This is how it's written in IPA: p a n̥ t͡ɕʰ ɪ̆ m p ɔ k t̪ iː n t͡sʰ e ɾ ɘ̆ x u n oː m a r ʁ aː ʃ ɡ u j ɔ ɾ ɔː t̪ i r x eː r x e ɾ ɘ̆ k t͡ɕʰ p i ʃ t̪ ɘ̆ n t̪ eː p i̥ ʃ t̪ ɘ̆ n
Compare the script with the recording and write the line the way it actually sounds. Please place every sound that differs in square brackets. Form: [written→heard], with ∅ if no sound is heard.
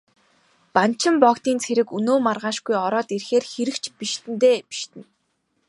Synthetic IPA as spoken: p a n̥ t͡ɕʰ ɪ̆ m p ɔ k t̪ iː n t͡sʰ e ɾ ɘ̆ [x→k] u n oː m a r ʁ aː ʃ ɡ u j ɔ ɾ ɔː t̪ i r x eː r x e ɾ ɘ̆ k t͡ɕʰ p i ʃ t̪ ɘ̆ n t̪ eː p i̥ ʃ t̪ ɘ̆ n